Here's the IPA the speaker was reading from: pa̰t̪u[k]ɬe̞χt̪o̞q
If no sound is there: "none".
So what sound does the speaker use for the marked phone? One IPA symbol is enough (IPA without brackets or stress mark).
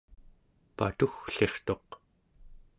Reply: x